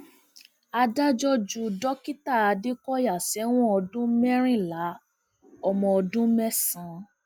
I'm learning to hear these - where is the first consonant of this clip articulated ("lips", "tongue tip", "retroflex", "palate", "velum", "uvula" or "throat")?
tongue tip